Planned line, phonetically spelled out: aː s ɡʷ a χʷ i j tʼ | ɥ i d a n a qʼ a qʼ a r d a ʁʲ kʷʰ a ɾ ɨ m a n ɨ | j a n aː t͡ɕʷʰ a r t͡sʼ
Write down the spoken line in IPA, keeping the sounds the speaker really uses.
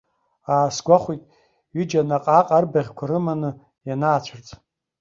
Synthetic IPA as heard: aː s ɡʷ a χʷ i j tʼ | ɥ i d͡ʒ a n a qʼ a qʼ a r b a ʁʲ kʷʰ a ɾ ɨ m a n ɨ | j a n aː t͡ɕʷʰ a r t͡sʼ

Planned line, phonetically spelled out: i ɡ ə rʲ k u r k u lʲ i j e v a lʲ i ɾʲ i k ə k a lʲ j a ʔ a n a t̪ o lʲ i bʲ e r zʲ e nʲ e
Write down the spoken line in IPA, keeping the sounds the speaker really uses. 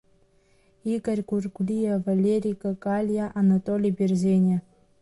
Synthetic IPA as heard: i ɡ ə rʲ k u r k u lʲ i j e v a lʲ e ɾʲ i k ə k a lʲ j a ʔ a n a t̪ o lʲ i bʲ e r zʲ e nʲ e

